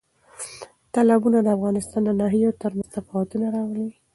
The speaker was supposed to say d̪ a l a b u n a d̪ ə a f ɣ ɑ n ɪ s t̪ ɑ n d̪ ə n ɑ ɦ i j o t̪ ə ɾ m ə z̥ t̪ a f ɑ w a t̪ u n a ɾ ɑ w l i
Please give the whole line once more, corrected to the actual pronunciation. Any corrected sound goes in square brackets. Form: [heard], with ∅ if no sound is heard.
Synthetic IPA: [t̪] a l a b u n a d̪ ə a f ɣ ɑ n ɪ s t̪ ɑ n d̪ ə n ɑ ɦ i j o t̪ ə ɾ m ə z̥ t̪ a f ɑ w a t̪ u n a ɾ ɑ w l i